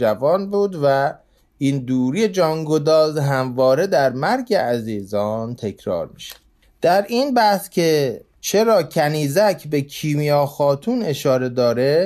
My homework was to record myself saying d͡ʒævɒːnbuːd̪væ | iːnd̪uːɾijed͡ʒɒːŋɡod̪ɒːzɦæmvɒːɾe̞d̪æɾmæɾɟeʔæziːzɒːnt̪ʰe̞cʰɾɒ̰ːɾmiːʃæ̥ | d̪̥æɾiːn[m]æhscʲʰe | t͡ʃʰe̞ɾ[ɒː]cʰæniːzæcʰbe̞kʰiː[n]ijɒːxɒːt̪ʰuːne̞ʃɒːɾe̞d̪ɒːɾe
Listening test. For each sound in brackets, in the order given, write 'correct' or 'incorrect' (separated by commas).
incorrect, correct, incorrect